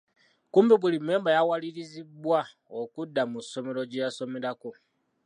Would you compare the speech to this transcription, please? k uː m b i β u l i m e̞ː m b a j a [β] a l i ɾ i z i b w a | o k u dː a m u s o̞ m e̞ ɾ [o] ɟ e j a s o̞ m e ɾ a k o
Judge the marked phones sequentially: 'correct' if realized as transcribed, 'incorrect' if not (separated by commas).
incorrect, correct